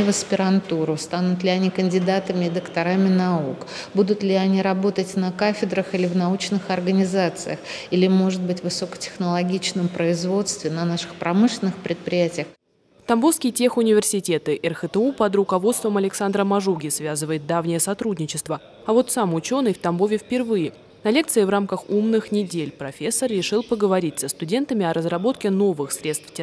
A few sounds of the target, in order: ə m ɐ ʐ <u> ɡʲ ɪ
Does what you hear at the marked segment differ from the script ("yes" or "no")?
no